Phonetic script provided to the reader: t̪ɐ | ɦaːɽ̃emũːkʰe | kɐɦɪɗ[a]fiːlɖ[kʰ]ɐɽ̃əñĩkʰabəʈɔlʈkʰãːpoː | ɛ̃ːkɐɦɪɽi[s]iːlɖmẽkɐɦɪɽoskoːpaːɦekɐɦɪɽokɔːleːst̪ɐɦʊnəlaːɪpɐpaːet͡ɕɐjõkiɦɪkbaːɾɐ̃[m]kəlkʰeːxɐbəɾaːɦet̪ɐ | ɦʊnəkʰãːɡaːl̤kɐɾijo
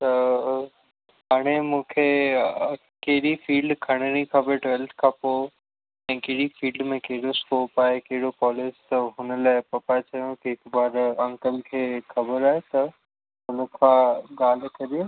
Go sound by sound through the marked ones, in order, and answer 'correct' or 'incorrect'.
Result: incorrect: i, correct, incorrect: f, incorrect: ŋ

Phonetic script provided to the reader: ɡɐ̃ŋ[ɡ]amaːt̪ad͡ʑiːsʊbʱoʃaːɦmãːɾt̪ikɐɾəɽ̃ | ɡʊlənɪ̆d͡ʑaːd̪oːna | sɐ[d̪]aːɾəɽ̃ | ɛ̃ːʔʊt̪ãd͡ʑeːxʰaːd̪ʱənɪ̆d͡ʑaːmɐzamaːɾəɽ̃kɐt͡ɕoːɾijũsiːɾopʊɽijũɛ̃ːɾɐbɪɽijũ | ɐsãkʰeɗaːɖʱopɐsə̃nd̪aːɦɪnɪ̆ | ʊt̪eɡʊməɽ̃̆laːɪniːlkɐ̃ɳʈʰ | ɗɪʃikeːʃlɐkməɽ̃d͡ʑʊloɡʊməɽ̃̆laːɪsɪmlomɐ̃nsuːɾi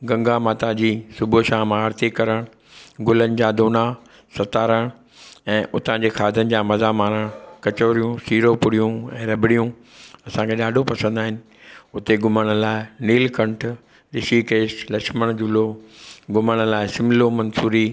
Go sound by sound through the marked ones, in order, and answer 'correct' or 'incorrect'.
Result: correct, incorrect: t̪

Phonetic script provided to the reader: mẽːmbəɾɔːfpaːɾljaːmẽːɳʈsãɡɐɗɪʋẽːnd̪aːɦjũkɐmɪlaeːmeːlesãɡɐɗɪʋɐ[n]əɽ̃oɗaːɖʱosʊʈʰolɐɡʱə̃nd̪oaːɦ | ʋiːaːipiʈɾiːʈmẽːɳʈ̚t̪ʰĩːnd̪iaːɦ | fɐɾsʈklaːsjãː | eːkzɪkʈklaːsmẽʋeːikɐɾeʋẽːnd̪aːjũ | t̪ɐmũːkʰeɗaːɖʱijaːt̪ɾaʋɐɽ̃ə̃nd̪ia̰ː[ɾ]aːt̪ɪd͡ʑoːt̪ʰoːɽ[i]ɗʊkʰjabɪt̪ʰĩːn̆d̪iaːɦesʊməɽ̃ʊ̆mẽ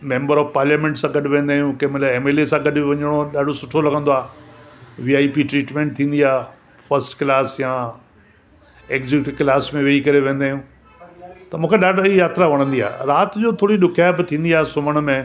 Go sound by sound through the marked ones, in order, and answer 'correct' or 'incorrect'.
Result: incorrect: ɲ, correct, correct

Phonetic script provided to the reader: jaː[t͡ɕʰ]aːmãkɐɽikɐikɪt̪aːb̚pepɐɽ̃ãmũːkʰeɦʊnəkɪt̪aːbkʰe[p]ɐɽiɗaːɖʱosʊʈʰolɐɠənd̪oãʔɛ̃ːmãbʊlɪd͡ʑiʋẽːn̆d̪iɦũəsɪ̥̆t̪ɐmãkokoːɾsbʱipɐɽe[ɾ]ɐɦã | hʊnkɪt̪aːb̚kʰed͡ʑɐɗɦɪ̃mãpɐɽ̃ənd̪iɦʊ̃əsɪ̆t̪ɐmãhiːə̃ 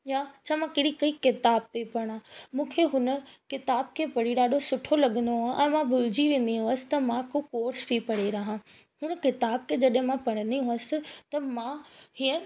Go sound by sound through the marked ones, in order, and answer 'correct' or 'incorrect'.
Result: correct, correct, correct

